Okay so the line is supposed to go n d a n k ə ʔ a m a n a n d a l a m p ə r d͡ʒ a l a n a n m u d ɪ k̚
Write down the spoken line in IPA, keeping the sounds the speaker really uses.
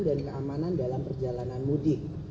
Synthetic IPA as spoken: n d a n k ə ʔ a m a n a n d a l a m p ə r d͡ʒ a l a n a n m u d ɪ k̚